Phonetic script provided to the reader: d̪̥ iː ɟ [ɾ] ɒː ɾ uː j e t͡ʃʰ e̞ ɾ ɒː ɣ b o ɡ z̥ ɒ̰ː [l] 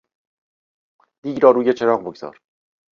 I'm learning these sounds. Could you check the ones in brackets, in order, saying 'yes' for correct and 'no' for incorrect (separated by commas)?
yes, no